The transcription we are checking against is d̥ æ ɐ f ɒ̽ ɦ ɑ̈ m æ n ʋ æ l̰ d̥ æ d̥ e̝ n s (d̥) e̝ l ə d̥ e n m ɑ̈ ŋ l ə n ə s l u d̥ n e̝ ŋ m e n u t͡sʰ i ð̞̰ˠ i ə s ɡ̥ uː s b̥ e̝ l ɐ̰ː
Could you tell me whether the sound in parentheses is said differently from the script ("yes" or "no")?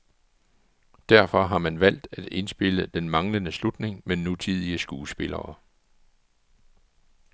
yes